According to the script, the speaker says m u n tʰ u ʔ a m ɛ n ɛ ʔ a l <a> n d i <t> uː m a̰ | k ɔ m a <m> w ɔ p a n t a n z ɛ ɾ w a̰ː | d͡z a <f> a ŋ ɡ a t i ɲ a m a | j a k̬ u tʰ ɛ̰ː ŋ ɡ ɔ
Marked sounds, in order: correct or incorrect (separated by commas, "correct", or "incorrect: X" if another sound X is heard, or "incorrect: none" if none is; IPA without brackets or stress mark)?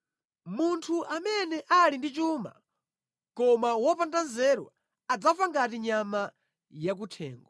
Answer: incorrect: i, incorrect: t͡ʃ, incorrect: none, correct